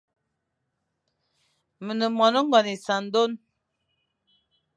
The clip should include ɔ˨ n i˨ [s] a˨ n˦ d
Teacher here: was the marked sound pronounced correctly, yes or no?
yes